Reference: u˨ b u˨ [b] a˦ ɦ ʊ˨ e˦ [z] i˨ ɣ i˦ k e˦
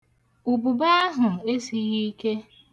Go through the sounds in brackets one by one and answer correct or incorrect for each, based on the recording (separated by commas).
correct, incorrect